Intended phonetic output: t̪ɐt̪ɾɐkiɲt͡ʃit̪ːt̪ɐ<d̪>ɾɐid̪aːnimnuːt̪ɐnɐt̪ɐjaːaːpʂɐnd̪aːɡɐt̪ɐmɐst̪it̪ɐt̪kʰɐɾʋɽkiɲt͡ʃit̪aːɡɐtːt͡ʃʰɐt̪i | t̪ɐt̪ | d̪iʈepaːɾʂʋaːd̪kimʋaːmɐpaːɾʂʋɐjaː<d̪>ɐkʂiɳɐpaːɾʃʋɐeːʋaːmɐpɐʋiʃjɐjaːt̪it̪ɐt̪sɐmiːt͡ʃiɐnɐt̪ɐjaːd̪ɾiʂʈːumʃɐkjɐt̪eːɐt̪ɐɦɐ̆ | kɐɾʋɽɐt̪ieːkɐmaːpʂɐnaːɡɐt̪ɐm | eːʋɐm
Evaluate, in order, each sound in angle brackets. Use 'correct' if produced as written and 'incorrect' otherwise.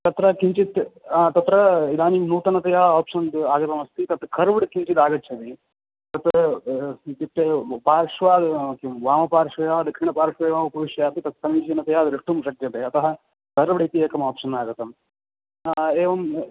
incorrect: t̪, correct

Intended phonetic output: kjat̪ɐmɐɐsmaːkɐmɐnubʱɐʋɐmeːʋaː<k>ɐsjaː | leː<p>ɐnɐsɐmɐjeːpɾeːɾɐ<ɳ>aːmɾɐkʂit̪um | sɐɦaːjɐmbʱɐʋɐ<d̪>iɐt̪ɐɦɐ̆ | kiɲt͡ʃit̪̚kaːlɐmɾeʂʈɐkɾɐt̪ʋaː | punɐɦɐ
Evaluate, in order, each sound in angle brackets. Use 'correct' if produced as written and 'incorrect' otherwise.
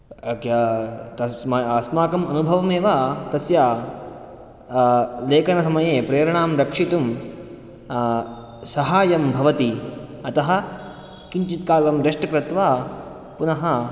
correct, incorrect: k, correct, incorrect: t̪

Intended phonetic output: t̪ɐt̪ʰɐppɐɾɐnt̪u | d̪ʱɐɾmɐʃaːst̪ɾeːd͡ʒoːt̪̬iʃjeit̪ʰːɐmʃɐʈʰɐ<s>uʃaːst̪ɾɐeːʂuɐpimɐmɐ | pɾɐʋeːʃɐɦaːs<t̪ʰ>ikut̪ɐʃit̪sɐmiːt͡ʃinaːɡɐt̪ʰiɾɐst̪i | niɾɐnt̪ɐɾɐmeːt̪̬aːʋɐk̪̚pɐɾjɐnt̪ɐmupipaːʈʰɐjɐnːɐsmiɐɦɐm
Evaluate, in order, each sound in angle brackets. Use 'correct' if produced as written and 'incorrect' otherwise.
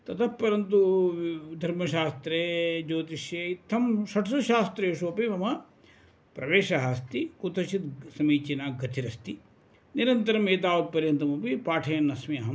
correct, incorrect: t̪

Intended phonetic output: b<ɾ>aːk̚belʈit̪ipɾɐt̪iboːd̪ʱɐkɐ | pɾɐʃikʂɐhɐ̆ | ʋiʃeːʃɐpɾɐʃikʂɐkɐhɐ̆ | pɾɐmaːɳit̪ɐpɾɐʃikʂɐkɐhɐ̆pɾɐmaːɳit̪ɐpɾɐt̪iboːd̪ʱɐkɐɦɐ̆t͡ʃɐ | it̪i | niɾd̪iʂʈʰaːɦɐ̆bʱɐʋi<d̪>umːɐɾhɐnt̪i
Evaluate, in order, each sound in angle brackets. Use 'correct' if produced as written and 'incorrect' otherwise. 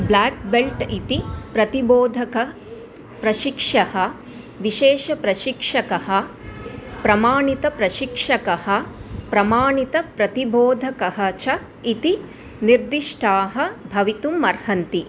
incorrect: l, incorrect: t̪

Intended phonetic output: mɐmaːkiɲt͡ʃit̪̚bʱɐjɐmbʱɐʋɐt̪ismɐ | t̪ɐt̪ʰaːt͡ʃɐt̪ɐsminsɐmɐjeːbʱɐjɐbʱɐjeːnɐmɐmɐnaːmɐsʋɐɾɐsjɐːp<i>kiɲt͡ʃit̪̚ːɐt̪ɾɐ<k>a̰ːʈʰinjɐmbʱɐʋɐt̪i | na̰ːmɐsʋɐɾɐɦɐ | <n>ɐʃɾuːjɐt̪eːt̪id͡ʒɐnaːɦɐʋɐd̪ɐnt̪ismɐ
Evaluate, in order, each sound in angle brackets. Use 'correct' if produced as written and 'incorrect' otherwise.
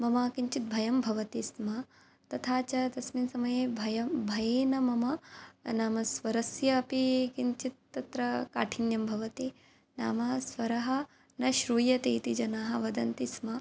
correct, correct, correct

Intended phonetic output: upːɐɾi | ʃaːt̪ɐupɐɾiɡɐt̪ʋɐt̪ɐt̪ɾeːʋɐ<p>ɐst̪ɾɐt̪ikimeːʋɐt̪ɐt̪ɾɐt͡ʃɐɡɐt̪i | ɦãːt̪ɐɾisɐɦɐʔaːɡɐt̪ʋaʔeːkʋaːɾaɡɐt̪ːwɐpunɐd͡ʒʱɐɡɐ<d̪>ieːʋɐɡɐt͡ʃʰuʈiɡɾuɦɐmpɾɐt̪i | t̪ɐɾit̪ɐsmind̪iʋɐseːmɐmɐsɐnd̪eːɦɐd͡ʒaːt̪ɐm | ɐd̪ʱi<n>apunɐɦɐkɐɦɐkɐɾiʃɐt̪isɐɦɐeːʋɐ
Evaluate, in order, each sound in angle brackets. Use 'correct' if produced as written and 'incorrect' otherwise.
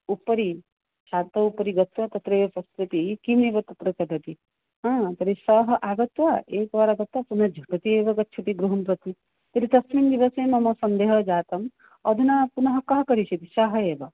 correct, incorrect: t̪, correct

